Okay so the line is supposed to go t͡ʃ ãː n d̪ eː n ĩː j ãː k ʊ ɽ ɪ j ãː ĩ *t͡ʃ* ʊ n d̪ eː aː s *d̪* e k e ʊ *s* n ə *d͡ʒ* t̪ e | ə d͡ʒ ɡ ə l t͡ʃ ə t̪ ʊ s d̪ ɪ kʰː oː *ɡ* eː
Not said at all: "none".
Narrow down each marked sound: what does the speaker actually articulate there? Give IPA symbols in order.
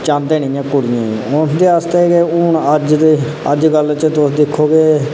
none, t̪, none, d͡ʒ, ɡ

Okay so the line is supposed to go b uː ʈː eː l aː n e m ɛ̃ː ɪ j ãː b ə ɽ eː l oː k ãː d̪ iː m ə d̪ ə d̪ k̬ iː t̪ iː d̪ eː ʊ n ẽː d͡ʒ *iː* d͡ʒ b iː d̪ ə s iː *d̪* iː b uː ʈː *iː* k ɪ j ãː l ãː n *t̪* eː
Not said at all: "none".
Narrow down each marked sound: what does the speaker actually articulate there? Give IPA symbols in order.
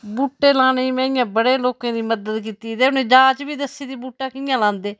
aː, d̪, aː, d̪

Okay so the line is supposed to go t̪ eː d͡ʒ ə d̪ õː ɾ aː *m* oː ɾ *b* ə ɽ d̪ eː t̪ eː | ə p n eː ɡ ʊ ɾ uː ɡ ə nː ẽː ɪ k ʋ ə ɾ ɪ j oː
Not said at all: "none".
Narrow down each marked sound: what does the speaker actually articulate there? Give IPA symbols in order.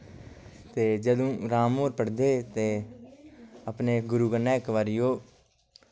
m, p

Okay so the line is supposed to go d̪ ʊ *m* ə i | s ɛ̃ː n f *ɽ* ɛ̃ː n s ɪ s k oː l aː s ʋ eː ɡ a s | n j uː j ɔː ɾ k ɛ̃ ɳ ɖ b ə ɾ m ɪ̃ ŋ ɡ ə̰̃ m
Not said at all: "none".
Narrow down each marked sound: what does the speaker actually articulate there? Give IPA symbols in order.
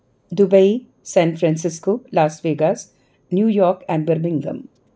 b, ɾ

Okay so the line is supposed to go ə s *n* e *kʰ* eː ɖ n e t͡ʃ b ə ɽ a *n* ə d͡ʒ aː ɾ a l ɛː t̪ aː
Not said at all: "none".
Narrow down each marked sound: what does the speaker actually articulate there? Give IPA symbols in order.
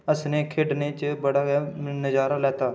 n, kʰ, n

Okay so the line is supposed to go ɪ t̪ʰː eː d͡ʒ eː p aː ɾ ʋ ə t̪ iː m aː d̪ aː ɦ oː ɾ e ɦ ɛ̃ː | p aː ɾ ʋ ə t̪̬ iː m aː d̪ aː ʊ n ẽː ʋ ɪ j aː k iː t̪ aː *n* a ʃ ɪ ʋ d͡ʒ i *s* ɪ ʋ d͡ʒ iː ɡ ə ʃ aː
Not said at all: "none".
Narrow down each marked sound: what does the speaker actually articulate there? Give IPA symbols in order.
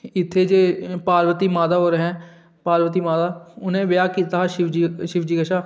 none, ʃ

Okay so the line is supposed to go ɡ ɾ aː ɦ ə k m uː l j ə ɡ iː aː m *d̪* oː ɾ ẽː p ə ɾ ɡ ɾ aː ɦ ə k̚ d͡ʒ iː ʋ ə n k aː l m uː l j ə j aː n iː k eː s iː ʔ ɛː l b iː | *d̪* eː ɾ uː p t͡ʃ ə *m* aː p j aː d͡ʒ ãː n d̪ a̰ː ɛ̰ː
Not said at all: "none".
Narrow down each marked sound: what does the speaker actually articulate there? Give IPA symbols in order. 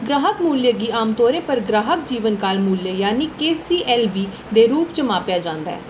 t̪, d̪, m

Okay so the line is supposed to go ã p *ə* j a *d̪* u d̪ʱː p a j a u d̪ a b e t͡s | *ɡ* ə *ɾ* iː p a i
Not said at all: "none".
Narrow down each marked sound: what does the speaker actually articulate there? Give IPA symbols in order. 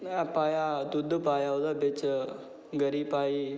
a, d̪, ɡ, ɾ

